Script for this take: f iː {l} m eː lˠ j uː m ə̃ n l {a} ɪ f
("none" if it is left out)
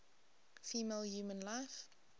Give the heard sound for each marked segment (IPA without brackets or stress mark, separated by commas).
none, a